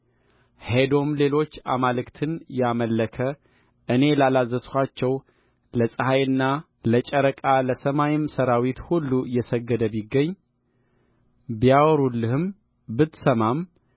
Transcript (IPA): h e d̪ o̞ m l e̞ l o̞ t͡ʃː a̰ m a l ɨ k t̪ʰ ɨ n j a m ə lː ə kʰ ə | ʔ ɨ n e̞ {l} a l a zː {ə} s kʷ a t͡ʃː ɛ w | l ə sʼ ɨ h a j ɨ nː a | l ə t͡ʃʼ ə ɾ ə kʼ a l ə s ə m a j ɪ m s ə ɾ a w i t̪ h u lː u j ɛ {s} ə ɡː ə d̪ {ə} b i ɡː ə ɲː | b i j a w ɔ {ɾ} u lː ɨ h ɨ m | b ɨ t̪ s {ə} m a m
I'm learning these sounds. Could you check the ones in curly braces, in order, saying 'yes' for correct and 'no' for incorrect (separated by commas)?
yes, yes, yes, yes, yes, yes